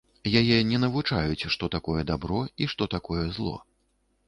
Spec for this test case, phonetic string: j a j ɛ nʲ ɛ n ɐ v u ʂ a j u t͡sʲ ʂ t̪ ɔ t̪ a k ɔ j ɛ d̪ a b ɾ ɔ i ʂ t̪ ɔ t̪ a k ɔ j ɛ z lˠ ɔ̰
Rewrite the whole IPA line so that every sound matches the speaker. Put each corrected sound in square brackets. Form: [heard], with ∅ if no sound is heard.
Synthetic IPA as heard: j a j ɛ nʲ ɛ n ɐ v u [t͡ʂ] a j u t͡sʲ ʂ t̪ ɔ t̪ a k ɔ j ɛ d̪ a b ɾ ɔ i ʂ t̪ ɔ t̪ a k ɔ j ɛ z lˠ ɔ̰